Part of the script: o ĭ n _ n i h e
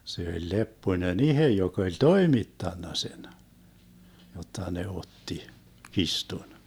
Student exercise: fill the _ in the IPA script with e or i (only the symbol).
e